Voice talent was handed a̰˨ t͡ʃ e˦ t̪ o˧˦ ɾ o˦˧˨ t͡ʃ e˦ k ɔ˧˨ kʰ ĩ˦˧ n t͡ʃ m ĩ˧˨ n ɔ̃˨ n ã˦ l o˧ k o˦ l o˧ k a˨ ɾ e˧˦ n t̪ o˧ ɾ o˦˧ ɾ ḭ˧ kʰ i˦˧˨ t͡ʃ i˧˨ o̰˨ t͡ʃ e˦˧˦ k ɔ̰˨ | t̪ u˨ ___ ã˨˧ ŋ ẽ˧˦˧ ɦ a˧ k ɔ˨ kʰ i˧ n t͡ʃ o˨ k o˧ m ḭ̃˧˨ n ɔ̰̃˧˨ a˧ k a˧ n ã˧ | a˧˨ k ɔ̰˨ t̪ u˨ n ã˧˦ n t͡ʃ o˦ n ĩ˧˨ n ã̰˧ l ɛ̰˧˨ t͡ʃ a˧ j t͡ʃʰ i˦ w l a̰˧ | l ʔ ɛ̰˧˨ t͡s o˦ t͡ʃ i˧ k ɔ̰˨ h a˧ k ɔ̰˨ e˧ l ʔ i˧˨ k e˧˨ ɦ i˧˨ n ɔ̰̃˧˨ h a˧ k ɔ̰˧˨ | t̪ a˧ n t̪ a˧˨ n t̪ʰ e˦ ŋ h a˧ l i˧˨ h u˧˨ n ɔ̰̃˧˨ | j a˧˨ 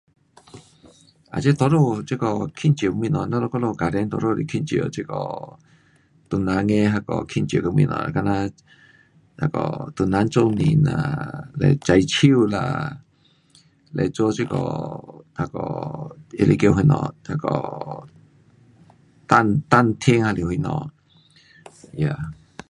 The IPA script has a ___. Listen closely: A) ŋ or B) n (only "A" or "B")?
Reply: B